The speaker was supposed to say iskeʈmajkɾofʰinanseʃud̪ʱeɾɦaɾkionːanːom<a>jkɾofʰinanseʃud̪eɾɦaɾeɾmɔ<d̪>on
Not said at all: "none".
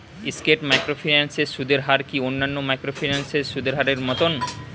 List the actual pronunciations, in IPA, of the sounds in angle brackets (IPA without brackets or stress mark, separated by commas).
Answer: a, t̪